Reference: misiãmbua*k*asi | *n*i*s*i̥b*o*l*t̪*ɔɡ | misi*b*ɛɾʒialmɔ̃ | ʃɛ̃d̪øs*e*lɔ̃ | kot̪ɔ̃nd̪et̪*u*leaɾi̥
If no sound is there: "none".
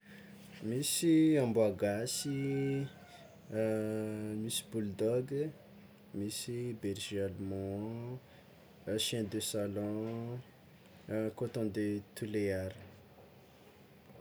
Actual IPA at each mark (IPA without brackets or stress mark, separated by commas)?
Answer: ɡ, m, s, u, d̪, b, a, u